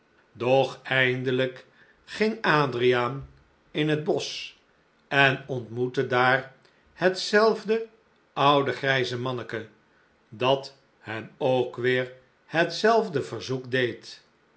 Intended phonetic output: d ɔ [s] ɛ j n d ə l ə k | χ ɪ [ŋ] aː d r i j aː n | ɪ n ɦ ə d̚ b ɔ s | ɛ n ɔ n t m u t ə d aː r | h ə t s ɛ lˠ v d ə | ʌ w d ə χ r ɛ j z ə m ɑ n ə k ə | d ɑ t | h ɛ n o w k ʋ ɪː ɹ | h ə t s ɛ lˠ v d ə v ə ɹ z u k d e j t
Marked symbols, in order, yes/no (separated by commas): no, yes